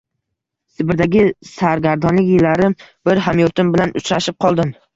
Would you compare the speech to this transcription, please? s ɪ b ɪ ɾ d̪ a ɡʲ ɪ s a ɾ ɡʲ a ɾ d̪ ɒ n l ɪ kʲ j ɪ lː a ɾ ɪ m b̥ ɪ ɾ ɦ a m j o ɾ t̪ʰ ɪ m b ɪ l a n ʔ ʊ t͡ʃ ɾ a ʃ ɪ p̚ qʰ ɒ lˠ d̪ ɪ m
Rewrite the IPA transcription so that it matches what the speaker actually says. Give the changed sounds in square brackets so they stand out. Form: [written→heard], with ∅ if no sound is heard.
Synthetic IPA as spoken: s ɪ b ɪ ɾ d̪ a ɡʲ ɪ s a ɾ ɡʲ a ɾ d̪ ɒ n l ɪ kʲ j ɪ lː a ɾ ɪ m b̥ ɪ ɾ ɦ a m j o ɾ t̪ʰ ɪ m b ɪ l a n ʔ ʊ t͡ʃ ɾ a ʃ ɪ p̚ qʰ ɒ lˠ d̪ ɪ m